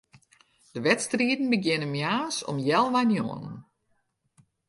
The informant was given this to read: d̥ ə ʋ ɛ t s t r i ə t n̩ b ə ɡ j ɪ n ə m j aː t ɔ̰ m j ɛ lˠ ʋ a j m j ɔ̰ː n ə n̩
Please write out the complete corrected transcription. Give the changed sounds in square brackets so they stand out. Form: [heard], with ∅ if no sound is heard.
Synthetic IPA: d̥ ə ʋ ɛ t s t r i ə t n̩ b ə ɡ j ɪ n ə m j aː [s] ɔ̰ m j ɛ lˠ ʋ a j [n] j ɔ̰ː n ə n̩